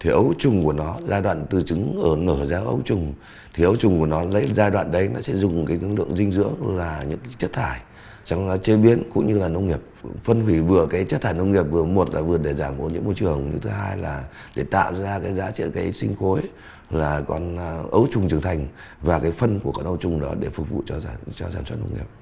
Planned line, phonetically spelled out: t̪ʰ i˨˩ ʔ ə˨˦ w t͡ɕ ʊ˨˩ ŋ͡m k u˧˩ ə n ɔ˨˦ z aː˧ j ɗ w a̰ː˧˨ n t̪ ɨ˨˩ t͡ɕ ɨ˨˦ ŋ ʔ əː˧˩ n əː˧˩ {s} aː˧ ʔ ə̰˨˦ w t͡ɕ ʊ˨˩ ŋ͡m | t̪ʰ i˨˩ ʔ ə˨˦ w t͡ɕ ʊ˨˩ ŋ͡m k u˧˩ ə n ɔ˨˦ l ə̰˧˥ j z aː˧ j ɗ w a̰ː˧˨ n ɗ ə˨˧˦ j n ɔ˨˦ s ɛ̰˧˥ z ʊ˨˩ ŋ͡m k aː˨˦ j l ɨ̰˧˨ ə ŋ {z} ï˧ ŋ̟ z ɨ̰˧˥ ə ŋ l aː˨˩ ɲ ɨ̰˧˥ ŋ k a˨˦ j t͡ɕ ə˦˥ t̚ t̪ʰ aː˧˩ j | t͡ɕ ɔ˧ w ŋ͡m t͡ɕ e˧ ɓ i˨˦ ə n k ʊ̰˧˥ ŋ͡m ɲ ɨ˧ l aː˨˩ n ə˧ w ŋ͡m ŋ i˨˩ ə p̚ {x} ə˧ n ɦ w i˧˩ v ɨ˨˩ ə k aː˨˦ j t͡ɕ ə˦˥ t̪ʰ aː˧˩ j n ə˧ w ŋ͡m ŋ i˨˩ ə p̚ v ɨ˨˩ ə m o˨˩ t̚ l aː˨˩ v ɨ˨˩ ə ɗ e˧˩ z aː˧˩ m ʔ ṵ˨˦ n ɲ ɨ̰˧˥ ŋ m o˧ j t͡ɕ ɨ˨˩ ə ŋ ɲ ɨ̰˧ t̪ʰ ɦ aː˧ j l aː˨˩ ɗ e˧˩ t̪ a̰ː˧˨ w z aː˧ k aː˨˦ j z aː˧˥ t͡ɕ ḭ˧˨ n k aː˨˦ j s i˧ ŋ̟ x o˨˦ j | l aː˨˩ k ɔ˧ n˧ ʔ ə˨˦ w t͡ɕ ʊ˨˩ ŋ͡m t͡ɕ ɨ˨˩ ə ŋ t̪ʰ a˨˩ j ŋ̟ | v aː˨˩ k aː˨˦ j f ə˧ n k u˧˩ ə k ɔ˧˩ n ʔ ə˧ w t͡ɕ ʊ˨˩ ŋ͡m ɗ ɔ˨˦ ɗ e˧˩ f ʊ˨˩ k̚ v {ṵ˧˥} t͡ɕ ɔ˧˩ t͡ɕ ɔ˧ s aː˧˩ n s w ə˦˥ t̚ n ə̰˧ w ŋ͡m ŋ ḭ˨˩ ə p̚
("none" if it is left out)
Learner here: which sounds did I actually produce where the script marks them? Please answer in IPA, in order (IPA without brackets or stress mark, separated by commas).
z, z, f, ṵ˧˨